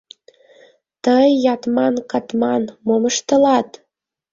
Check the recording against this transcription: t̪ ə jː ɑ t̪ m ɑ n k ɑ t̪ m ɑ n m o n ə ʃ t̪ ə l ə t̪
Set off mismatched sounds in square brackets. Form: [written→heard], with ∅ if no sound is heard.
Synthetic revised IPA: t̪ ə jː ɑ t̪ m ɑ n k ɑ t̪ m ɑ n m o [n→m] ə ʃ t̪ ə l [ə→ɑ] t̪